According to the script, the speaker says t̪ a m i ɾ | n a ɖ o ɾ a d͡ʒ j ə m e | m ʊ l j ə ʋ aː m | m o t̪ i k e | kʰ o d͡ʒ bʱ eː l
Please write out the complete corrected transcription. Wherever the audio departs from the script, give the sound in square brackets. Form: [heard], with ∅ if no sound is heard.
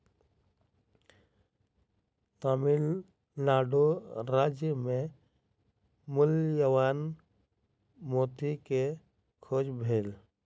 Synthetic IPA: t̪ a m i [l] | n a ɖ o ɾ a d͡ʒ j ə m e | m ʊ l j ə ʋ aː [n] | m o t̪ i k e | kʰ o d͡ʒ bʱ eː l